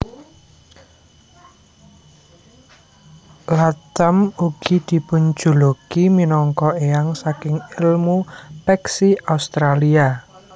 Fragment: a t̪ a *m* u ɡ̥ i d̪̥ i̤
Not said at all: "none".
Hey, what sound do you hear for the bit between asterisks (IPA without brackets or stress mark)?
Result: m